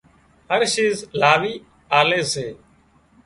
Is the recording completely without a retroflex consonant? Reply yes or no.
yes